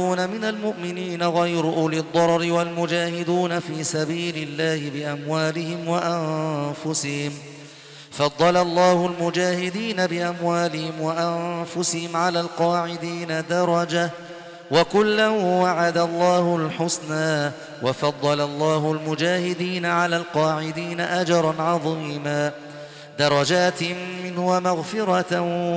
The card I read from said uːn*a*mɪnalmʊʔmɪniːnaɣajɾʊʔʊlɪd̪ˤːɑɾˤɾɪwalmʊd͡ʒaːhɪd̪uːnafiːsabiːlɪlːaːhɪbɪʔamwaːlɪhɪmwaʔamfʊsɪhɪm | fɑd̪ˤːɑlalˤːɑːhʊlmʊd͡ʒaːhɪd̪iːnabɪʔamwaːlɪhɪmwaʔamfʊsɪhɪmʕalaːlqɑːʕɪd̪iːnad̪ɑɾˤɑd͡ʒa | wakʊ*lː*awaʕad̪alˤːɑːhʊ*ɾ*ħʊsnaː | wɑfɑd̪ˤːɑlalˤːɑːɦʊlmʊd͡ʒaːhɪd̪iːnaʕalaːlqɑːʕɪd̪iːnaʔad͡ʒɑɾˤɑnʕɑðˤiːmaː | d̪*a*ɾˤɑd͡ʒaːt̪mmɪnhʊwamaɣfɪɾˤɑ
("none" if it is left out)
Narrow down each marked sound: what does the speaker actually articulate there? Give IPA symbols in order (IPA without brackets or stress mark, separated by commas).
a, lː, l, ɑ